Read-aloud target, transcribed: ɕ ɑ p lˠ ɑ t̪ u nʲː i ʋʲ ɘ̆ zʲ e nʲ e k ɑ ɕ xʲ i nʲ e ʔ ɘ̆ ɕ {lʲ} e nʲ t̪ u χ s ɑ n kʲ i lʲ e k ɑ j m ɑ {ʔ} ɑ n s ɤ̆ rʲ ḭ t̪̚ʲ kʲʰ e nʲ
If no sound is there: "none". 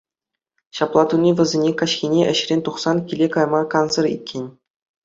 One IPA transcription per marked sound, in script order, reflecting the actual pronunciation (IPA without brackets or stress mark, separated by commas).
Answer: rʲ, k